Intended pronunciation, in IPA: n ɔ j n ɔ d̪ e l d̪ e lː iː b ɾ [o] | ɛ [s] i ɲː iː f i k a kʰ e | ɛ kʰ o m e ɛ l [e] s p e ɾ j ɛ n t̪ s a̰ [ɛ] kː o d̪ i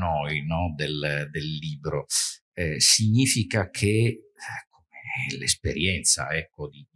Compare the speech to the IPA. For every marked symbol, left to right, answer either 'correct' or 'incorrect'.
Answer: correct, correct, correct, correct

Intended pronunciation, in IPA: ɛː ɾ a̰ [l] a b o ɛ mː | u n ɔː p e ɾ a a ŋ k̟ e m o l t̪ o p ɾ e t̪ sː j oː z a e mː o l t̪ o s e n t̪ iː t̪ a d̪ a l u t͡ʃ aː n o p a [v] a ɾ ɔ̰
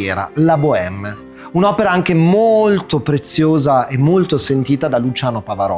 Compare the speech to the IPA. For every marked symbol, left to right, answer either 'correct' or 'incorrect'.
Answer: correct, correct

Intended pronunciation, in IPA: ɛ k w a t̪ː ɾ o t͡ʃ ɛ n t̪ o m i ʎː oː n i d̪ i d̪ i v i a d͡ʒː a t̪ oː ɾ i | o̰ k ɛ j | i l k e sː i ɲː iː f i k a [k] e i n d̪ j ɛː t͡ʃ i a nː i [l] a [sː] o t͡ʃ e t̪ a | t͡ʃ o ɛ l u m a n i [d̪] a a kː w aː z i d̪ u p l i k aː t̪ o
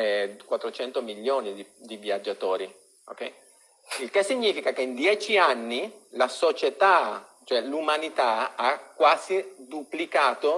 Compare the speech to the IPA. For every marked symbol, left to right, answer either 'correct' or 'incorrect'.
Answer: correct, correct, incorrect, incorrect

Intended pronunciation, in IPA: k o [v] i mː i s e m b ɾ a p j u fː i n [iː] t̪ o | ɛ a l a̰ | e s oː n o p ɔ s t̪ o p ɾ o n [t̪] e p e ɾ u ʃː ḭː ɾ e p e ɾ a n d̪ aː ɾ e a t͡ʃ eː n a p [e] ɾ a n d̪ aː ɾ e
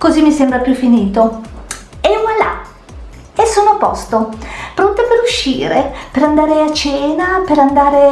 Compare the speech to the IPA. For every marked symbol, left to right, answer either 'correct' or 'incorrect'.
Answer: incorrect, correct, correct, correct

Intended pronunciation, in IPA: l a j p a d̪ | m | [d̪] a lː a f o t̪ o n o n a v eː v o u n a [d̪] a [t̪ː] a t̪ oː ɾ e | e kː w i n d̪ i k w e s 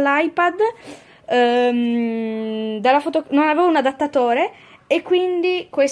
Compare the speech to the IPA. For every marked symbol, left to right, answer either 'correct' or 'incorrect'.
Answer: correct, correct, correct

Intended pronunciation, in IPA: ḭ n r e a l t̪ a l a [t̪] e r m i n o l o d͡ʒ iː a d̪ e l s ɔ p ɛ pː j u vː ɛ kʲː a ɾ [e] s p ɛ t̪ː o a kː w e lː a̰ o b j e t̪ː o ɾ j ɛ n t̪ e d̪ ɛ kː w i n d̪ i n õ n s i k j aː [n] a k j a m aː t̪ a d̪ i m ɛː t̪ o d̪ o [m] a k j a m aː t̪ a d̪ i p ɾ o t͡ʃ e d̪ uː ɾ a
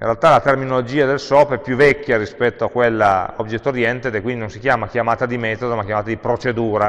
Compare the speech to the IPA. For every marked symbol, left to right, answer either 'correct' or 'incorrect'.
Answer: correct, incorrect, incorrect, correct

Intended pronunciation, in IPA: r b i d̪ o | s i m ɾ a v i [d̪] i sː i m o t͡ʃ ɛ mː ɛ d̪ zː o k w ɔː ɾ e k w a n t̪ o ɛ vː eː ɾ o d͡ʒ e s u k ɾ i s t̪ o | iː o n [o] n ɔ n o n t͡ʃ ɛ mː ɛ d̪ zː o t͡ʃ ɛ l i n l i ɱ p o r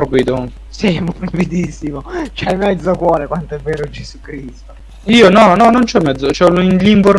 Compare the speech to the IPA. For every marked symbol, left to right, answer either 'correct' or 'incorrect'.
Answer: correct, incorrect

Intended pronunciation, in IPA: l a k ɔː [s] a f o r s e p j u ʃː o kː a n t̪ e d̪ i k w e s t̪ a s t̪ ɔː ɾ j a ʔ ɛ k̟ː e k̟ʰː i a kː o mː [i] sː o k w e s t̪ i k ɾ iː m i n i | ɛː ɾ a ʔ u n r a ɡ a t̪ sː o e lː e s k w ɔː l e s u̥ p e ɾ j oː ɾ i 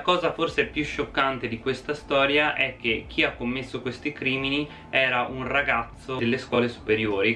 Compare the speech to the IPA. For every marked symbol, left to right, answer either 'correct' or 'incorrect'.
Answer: incorrect, incorrect

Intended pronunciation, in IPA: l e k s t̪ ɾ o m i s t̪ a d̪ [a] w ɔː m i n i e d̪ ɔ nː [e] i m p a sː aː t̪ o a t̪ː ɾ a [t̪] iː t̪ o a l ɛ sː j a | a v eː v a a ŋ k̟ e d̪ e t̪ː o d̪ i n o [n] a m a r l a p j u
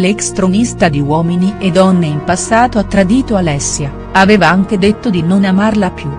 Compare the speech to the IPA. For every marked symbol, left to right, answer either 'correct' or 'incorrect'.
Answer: incorrect, correct, incorrect, correct

